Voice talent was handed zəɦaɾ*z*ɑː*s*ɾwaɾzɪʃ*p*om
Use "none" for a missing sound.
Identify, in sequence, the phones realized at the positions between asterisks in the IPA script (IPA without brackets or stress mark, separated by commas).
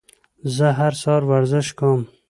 s, none, k